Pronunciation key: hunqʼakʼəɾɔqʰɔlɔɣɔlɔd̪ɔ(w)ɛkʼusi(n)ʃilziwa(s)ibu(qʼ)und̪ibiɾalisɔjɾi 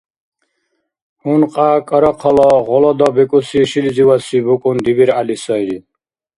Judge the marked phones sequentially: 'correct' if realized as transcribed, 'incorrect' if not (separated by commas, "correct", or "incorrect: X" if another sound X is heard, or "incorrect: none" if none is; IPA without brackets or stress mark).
incorrect: b, incorrect: none, correct, incorrect: kʼ